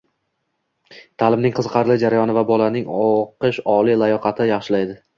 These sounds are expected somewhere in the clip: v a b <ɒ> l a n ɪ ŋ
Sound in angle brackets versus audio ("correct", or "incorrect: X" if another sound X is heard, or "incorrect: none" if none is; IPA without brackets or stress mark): correct